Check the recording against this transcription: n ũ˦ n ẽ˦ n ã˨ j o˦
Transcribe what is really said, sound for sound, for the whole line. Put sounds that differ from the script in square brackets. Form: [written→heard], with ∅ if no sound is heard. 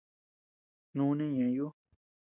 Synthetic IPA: n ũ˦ n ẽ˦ [n→ɲ] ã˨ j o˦